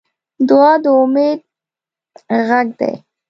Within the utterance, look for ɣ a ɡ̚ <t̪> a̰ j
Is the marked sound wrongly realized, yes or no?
yes